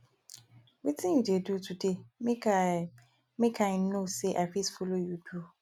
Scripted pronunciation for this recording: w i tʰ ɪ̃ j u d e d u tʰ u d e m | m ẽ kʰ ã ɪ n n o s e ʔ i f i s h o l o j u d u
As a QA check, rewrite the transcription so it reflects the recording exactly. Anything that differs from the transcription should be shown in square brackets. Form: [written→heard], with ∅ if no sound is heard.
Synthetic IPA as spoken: w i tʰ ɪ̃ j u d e d u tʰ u d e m | m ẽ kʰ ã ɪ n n o s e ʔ [i→a] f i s [h→f] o l o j u d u